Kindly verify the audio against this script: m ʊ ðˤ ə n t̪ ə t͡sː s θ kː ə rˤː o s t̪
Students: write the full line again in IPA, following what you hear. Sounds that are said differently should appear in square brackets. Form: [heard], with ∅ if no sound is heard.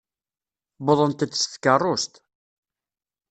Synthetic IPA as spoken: [b] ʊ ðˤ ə n t̪ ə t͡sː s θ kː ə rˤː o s t̪